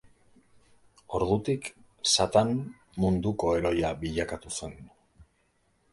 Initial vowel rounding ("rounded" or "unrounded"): rounded